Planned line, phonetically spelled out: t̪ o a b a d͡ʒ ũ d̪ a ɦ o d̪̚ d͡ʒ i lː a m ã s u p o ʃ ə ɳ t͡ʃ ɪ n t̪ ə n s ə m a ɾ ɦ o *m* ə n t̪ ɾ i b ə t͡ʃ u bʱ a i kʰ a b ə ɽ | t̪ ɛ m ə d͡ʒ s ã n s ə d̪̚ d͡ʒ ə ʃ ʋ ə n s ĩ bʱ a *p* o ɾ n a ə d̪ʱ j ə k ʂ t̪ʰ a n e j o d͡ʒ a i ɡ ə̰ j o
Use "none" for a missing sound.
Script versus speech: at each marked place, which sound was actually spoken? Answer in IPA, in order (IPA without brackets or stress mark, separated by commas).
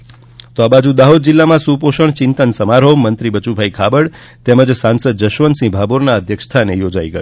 m, b